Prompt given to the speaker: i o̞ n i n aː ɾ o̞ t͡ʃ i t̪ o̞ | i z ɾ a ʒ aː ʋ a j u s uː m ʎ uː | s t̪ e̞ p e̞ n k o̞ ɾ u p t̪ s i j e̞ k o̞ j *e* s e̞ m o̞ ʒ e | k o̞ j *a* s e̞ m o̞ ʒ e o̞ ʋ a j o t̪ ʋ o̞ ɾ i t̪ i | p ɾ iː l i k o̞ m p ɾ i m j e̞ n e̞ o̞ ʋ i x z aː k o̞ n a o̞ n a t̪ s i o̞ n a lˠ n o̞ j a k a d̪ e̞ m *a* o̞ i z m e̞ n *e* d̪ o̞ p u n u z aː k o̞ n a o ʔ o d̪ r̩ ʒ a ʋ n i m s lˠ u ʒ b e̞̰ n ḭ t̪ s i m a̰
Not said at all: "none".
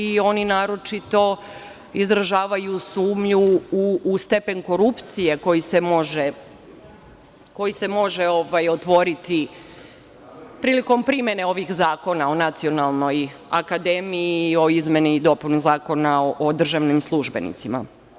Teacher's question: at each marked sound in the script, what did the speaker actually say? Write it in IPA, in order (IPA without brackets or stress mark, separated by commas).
i, i, i, i